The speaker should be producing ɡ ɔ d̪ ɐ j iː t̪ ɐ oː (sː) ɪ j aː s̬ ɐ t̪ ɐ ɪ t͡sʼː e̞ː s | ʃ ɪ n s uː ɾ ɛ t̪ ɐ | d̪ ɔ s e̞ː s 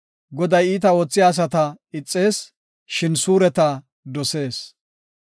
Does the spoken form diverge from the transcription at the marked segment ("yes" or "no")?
yes